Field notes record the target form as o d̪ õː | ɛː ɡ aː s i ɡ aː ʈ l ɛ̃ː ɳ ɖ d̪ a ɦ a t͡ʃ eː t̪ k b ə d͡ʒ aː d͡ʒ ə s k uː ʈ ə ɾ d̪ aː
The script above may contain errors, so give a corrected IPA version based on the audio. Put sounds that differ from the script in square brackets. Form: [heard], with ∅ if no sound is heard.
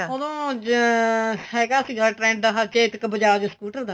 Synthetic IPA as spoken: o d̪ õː | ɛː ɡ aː s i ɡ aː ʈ [ɾ] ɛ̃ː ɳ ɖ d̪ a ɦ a t͡ʃ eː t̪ k b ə d͡ʒ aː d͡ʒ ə s k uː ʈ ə ɾ d̪ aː

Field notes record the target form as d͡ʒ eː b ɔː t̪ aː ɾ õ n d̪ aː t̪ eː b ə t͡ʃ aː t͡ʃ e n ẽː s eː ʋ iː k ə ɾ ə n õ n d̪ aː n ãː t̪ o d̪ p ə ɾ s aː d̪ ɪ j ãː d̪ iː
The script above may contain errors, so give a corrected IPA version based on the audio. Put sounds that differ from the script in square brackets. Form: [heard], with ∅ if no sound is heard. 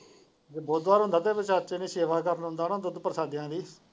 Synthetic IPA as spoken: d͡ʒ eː b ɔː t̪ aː ɾ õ n d̪ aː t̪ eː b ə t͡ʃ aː t͡ʃ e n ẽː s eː ʋ [aː] k ə ɾ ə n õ n d̪ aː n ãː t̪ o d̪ p ə ɾ s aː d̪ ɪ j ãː d̪ iː

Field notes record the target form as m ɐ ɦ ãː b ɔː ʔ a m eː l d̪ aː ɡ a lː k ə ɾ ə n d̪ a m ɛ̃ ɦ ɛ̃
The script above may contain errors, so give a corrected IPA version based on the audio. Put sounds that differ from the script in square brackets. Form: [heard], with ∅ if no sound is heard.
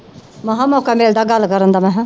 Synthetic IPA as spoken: m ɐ ɦ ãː [m] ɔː [k] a m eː l d̪ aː ɡ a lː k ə ɾ ə n d̪ a m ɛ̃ ɦ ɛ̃

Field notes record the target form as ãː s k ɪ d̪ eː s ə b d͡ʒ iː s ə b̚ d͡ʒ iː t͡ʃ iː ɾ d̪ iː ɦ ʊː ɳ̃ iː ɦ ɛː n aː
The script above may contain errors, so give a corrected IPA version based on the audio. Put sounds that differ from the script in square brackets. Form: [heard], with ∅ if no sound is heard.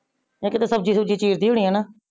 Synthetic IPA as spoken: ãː [∅] k ɪ [t̪] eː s ə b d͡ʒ iː s ə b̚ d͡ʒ iː t͡ʃ iː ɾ d̪ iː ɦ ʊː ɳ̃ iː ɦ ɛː n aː

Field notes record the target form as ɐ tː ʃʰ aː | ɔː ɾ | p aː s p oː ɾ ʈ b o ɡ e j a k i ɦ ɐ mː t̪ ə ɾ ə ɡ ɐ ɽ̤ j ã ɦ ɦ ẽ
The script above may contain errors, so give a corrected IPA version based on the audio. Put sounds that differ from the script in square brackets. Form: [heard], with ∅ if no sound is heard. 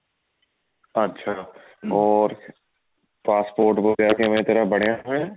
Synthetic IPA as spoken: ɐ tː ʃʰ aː | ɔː ɾ | p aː s p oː ɾ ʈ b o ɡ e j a k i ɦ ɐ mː t̪ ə ɾ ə [b] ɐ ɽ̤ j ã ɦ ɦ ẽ

